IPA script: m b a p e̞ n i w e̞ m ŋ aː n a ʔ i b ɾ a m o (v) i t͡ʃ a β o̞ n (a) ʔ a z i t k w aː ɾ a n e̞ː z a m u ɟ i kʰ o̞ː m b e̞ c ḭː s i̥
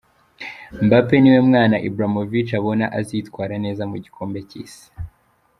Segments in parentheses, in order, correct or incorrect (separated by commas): correct, correct